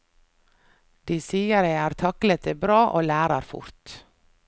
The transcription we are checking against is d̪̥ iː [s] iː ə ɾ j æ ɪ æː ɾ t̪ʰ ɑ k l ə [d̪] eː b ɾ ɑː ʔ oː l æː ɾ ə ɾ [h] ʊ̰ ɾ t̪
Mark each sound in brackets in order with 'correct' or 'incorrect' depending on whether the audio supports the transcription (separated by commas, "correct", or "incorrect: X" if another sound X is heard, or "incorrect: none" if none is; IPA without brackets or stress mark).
correct, incorrect: t̪, incorrect: f